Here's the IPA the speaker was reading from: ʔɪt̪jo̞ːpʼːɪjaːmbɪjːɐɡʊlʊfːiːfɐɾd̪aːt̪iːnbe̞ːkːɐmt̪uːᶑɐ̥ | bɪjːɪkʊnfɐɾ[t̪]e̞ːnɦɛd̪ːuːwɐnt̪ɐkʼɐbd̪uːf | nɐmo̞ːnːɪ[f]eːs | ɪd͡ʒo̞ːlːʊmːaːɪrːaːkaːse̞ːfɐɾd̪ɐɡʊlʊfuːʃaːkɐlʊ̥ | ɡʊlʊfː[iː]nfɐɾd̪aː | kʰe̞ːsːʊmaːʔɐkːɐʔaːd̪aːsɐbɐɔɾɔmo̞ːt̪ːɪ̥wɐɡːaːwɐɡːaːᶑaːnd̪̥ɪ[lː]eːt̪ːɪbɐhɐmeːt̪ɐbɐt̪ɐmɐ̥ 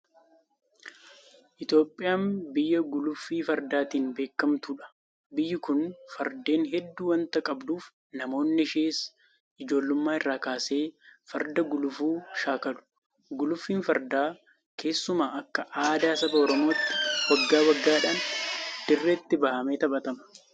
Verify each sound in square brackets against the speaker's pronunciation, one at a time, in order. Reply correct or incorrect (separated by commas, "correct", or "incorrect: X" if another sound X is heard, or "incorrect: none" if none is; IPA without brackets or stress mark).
incorrect: d̪, incorrect: ʃ, correct, incorrect: rː